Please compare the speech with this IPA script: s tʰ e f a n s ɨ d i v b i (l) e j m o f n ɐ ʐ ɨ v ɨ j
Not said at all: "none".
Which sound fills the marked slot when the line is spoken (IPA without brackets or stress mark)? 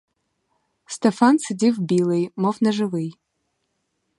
l